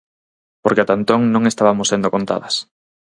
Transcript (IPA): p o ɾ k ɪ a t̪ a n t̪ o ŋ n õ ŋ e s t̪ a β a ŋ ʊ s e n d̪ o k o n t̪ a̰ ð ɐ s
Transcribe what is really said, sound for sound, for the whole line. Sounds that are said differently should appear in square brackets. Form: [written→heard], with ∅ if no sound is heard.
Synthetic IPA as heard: p o ɾ k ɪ a t̪ a n t̪ o ŋ n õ ŋ e s t̪ a β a [ŋ→m] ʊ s e n d̪ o k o n t̪ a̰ ð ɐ s